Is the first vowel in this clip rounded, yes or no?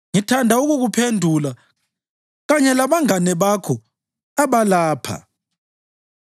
no